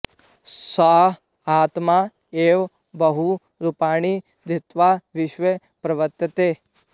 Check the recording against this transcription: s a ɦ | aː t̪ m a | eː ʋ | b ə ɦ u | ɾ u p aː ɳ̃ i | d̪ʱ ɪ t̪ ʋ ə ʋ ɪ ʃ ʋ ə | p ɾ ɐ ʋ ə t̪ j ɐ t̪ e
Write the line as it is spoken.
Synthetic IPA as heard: s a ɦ | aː t̪ m a | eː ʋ | b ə ɦ u | ɾ u p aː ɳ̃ i | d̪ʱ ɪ t̪ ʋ a ʋ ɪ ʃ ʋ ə | p ɾ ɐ ʋ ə t̪ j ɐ t̪ e